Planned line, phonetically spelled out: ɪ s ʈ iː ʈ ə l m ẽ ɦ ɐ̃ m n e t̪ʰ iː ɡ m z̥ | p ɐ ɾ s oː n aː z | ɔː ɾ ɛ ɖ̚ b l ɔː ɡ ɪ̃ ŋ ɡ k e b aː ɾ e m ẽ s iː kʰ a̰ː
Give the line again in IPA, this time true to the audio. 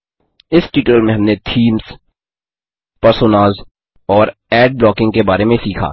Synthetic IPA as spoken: ɪ s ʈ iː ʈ ə l m ẽ ɦ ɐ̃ m n e t̪ʰ iː m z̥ | p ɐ ɾ s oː n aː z | ɔː ɾ ɛː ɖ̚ b l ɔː k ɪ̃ ŋ ɡ k e b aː ɾ e m ẽ s iː kʰ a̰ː

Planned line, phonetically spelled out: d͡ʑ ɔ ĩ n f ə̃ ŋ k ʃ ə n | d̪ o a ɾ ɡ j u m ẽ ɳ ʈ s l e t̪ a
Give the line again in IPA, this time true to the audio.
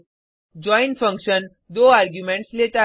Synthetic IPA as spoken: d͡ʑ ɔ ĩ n f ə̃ ŋ k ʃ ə n | d̪ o a ɾ ɡ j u m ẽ ɳ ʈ s l e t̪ a

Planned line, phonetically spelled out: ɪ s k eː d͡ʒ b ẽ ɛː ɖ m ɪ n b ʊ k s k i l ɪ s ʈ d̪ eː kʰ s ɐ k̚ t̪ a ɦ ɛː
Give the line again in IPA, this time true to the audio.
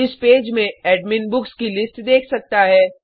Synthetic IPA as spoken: ɪ s p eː d͡ʒ m ẽ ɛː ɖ m ɪ n b ʊ k s k i l ɪ s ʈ d̪ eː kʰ s ɐ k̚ t̪ a ɦ ɛː

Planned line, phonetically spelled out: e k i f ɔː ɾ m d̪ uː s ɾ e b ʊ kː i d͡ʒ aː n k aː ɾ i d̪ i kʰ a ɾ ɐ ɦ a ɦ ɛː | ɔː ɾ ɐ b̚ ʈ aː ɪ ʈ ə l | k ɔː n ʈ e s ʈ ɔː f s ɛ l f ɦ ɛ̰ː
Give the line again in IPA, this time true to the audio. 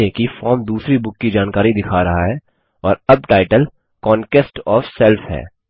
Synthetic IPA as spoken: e k i f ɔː ɾ m d̪ uː s ɾ i b ʊ kː i d͡ʒ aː n k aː ɾ i d̪ ɪ kʰ a ɾ ɐ ɦ a ɦ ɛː | ɔː ɾ ɐ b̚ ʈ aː ɪ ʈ ə l | k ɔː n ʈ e s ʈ ɔː f s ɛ l f ɦ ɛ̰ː

